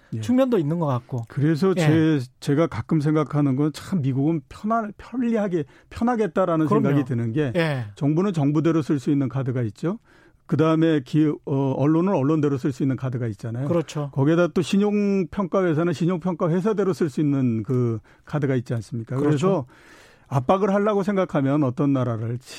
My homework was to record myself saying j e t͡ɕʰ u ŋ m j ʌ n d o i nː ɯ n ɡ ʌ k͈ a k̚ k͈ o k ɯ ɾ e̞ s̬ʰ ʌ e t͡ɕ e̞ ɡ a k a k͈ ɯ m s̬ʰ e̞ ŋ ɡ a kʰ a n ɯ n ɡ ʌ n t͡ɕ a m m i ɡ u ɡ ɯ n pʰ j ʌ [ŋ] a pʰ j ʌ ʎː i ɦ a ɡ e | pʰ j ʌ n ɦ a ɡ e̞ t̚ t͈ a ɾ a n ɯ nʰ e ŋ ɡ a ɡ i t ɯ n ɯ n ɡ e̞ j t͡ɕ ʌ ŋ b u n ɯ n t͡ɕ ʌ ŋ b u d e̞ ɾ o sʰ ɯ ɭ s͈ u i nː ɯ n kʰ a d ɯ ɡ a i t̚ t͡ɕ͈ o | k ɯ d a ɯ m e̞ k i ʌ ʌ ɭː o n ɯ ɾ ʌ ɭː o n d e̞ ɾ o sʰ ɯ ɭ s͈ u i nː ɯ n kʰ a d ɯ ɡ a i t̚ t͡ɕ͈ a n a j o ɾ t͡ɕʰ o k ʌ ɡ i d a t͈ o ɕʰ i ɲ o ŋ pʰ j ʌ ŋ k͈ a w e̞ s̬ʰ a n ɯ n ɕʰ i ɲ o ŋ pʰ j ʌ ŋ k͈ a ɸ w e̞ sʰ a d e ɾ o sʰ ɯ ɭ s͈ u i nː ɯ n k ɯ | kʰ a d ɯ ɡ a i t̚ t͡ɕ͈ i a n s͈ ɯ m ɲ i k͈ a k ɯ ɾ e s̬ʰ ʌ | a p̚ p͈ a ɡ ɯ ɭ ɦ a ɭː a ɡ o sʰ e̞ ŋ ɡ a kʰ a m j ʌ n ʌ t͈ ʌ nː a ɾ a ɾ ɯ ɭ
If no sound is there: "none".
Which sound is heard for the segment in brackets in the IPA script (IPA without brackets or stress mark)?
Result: n